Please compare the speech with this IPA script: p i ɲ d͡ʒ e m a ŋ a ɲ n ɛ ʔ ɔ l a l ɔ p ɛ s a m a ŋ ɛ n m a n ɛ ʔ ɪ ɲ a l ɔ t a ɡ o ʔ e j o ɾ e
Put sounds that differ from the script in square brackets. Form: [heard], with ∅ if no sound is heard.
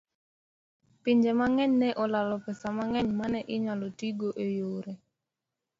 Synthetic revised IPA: p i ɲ d͡ʒ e m a ŋ [ɛ] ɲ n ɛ ʔ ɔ l a l ɔ p ɛ s a m a ŋ ɛ [ɲ] m a n ɛ ʔ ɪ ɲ a l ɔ t [i] ɡ o ʔ e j o ɾ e